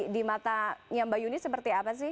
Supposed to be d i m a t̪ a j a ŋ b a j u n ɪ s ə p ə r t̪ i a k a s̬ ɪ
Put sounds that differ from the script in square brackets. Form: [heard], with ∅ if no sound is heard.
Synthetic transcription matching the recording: d i m a t̪ a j a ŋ b a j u n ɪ s ə p ə r t̪ i a [p] a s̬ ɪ